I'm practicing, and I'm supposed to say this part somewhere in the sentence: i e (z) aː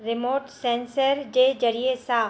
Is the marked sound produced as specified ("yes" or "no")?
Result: no